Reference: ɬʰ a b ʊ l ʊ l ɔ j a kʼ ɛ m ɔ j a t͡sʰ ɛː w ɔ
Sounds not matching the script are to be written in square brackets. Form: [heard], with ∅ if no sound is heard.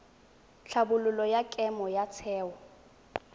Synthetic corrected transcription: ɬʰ a b ʊ l ʊ l ɔ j a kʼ ɛ m ɔ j a t͡sʰ ɛː w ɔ